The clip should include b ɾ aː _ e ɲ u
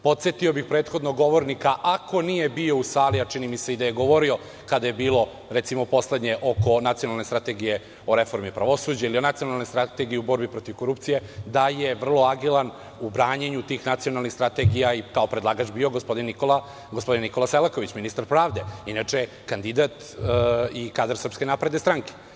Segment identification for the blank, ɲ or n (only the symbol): ɲ